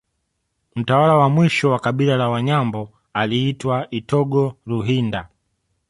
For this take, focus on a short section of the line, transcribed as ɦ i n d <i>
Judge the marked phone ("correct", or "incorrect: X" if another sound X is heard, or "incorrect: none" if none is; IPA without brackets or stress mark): incorrect: a